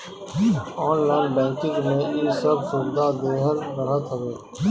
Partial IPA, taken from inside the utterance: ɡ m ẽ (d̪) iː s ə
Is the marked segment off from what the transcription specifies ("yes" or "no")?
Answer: yes